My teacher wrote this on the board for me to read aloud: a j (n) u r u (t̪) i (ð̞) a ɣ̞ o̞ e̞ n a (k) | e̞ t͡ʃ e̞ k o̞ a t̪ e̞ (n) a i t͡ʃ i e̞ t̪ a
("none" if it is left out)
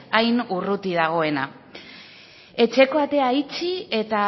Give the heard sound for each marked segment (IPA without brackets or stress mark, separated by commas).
n, t̪, ð̞, none, none